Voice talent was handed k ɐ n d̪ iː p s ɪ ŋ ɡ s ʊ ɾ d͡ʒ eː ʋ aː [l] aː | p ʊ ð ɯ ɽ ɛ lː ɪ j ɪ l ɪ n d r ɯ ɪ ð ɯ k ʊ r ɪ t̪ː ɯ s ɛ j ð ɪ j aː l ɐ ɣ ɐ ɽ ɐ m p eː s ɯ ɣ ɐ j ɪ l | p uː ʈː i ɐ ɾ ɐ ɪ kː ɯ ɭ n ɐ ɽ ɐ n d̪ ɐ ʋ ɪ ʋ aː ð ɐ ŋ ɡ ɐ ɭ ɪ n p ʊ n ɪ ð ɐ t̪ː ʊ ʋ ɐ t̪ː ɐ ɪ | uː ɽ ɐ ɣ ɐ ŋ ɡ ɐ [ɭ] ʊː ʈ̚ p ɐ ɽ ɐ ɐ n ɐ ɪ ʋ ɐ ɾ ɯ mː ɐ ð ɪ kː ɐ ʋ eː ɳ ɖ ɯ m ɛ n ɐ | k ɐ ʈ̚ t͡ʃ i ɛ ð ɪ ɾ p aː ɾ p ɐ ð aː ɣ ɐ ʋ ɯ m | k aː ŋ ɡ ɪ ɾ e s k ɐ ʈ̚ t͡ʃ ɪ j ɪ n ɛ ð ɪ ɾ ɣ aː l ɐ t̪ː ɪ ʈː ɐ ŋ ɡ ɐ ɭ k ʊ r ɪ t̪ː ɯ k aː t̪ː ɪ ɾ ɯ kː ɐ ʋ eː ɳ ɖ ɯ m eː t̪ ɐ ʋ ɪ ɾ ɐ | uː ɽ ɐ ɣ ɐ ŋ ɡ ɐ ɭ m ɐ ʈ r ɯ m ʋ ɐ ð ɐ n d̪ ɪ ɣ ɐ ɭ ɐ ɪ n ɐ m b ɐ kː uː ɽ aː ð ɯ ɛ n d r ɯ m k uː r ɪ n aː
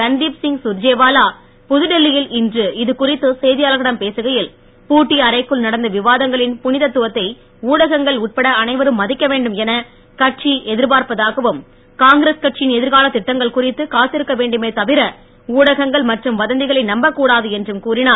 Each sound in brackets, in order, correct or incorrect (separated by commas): correct, correct